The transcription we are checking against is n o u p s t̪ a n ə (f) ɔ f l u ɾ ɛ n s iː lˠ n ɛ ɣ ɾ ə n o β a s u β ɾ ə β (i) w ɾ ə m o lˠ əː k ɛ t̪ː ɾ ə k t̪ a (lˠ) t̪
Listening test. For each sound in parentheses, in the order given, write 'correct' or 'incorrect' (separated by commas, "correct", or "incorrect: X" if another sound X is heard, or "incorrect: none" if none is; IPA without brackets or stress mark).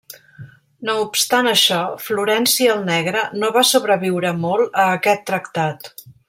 incorrect: ʃ, correct, incorrect: none